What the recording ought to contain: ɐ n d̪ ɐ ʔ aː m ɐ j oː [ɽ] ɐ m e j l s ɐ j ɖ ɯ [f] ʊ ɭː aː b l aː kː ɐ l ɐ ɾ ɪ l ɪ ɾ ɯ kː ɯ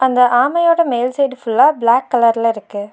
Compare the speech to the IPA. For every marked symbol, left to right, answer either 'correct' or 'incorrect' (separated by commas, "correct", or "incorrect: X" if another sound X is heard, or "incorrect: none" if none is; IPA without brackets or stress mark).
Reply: correct, correct